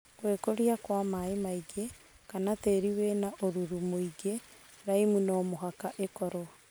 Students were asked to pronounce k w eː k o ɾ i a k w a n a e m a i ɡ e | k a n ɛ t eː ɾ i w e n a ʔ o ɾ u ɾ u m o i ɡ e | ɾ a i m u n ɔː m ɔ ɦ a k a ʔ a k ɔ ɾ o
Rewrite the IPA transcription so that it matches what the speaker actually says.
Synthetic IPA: k w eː k o ɾ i a k w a m a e m a i ɡ e | k a n a t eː ɾ i w e n a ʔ o ɾ u ɾ u m o i ɡ e | ɾ a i m u n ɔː m o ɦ a k a ʔ e k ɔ ɾ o